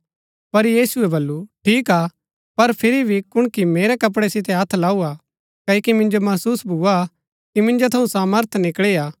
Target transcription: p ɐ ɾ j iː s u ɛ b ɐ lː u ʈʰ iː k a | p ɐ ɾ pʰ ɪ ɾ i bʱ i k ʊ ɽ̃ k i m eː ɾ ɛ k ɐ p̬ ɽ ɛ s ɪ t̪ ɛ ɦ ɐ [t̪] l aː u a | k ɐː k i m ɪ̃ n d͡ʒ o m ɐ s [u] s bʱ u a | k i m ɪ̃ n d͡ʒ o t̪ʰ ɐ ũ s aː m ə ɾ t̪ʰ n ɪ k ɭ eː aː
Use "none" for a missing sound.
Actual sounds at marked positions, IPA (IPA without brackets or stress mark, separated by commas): t̪ʰ, uː